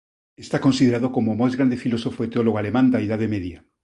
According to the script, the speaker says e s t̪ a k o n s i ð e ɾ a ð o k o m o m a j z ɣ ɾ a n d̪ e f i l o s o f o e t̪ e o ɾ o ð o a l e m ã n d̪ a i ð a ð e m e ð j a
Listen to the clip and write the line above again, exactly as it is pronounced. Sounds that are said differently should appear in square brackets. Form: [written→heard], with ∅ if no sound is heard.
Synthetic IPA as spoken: e s t̪ a k o n s i ð e ɾ a ð o k o m o m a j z ɣ ɾ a n d̪ e f i l o s o f o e t̪ e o [ɾ→l] o [ð→ɣ] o a l e m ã n d̪ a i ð a ð e m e ð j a